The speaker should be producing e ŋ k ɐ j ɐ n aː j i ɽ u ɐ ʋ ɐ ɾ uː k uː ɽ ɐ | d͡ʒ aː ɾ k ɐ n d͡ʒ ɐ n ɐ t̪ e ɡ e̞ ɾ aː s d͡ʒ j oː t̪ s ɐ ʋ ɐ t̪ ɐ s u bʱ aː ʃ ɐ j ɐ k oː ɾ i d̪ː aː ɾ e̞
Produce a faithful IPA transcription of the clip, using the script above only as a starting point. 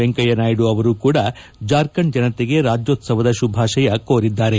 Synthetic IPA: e ŋ k ɐ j ɐ n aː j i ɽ u ɐ ʋ ɐ ɾ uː k uː ɽ ɐ | d͡ʒ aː ɾ k ɐ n d͡ʒ ɐ n ɐ t̪ e ɡ e̞ ɾ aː d͡ʒ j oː t̪ s ɐ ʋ ɐ d̪ ɐ ʃ u bʱ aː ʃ ɐ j ɐ k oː ɾ i d̪ː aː ɾ e̞